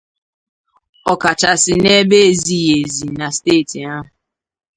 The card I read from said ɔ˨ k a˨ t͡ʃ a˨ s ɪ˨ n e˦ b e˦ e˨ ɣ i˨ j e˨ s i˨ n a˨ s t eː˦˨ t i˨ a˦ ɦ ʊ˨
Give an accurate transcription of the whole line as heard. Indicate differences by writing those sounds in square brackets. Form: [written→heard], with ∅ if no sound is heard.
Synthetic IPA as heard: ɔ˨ k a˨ t͡ʃ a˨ s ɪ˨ n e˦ b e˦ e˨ [ɣ→z] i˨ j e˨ [s→z] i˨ n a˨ s t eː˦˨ t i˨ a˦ ɦ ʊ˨